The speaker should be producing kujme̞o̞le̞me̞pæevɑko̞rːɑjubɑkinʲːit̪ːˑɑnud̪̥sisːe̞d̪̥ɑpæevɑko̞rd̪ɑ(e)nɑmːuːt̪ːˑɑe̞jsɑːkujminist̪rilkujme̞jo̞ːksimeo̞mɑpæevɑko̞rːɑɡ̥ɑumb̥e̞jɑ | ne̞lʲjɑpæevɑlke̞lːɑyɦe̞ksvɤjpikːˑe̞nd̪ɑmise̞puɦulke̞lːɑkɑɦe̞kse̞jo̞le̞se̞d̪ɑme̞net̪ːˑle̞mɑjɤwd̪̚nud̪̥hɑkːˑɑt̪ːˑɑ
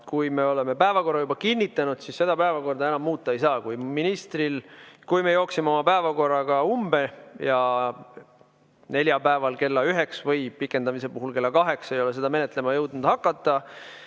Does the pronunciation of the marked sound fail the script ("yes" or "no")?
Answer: no